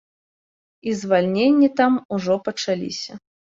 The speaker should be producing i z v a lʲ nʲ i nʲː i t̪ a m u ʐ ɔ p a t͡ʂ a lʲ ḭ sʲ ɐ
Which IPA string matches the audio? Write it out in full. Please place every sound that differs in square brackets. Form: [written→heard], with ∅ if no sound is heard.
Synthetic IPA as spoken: i z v a lʲ nʲ [i→e] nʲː i t̪ a m u ʐ ɔ p [a→ɐ] t͡ʂ a lʲ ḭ sʲ ɐ